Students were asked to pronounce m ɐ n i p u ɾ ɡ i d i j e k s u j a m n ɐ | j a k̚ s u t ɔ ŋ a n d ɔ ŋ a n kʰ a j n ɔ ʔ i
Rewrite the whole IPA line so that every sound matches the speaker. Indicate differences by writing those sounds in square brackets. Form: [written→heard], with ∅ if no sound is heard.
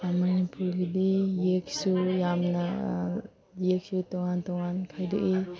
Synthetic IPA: m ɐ n i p u ɾ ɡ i d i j e k s u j a m n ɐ | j [a→e] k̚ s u t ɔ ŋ a n [d→t] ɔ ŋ a n kʰ a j [n→d] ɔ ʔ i